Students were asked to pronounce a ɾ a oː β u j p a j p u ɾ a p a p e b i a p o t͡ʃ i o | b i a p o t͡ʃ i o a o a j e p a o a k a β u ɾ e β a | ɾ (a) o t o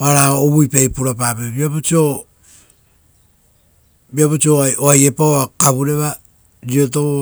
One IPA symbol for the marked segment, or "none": i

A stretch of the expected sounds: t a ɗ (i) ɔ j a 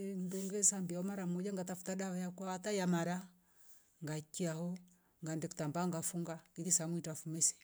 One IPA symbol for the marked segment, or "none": a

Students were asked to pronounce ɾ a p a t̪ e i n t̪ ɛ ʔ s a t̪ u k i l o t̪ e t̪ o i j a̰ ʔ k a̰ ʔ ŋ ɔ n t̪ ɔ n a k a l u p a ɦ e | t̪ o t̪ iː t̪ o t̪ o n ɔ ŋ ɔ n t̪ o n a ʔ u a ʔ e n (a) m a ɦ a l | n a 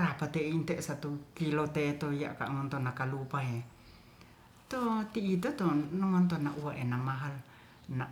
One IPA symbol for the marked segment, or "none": a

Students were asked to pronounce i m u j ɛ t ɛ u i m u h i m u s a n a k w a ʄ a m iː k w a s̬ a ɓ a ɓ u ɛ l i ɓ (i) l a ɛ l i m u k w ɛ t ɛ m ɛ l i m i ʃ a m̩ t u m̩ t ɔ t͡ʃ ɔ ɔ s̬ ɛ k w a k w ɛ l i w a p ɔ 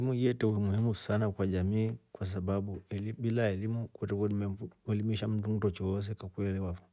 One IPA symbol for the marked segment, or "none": i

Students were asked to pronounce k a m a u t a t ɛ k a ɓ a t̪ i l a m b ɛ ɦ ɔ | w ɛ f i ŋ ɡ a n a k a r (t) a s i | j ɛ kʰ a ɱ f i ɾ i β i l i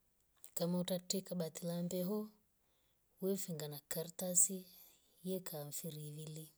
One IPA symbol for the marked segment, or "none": t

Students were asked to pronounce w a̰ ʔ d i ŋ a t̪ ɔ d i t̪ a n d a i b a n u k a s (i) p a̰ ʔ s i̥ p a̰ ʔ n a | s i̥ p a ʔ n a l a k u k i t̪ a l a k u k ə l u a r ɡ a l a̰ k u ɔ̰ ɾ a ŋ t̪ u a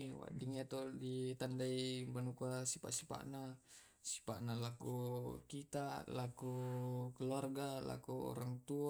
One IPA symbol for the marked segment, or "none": i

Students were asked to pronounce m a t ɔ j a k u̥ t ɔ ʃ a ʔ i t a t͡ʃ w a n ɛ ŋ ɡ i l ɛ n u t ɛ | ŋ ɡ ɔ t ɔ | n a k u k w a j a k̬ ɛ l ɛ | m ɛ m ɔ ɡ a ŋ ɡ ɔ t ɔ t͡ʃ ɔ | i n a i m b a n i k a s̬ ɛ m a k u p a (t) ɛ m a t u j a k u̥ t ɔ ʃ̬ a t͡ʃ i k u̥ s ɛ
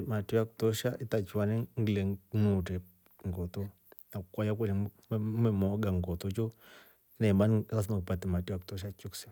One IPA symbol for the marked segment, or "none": t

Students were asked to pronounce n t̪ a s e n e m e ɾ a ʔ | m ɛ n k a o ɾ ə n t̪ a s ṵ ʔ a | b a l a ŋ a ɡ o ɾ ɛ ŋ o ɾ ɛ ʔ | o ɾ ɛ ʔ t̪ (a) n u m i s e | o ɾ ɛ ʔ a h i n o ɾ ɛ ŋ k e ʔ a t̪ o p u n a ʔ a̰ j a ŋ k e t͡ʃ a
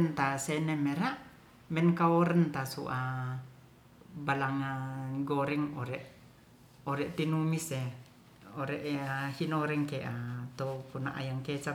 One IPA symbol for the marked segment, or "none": i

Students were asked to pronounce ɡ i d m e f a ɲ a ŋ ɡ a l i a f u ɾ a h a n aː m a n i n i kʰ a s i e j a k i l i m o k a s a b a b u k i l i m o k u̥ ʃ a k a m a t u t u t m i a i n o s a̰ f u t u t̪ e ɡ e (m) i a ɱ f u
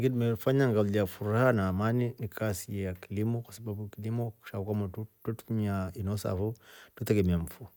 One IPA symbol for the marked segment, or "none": m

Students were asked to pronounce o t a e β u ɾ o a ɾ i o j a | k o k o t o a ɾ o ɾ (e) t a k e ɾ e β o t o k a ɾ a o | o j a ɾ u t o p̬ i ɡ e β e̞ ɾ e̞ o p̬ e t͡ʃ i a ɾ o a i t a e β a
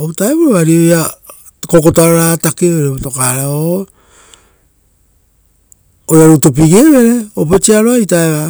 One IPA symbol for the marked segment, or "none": a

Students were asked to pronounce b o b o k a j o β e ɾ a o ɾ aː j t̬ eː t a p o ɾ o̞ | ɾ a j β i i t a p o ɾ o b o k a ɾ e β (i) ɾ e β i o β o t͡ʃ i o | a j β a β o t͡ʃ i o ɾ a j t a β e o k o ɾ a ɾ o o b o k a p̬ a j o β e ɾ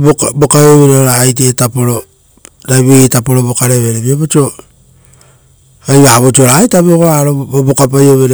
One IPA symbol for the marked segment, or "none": e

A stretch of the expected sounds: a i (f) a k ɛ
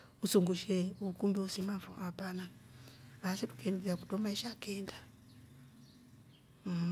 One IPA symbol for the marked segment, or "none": ʃ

